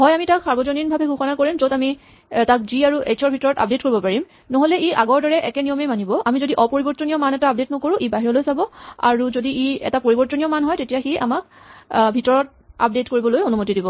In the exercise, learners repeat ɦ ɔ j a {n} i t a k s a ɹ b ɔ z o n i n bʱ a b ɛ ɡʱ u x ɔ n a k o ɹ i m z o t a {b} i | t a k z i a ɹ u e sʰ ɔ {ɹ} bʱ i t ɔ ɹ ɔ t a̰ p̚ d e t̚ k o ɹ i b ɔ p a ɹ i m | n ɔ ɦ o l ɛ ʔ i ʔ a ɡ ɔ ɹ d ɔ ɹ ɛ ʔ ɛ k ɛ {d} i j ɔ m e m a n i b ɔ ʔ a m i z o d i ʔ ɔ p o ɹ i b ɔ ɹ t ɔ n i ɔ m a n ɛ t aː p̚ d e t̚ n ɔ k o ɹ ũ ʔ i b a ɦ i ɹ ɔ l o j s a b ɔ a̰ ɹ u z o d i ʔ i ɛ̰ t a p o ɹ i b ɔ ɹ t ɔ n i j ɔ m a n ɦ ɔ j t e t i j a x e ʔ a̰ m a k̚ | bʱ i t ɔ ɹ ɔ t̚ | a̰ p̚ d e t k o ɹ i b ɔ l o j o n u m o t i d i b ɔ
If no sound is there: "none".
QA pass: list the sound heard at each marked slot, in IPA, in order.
m, m, ɹ, n

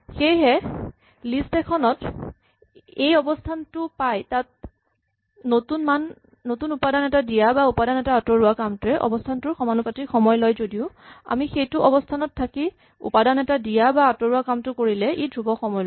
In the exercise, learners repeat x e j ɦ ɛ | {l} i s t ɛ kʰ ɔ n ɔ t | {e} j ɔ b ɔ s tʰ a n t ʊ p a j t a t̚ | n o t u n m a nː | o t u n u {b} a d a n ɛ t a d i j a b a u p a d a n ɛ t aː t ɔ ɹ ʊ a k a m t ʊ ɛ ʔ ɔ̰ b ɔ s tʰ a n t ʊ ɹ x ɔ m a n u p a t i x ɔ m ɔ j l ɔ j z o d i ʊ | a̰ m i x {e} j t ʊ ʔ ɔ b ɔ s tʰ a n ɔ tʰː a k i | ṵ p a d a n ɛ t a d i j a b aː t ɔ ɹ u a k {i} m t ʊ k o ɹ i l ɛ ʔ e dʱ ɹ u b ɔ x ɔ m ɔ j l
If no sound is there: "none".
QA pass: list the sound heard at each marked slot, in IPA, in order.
l, e, p, e, a

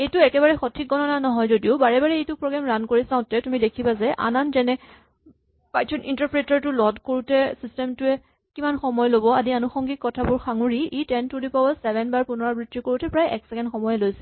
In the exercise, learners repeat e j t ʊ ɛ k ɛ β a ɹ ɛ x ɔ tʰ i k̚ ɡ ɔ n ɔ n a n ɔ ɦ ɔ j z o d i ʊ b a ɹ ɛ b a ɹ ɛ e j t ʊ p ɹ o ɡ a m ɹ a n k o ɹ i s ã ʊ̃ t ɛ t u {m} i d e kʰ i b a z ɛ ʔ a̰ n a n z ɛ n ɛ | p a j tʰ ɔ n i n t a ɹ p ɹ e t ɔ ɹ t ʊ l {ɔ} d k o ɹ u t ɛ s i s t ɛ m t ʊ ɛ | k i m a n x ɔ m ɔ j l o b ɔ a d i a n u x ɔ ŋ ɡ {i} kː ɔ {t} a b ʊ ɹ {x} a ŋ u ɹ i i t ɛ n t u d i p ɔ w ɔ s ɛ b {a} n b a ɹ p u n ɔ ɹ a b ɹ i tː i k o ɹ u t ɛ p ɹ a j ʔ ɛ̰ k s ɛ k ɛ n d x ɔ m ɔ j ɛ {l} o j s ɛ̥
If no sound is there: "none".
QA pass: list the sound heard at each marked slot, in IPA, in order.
m, ɔ, i, tʰ, x, ɛ, l

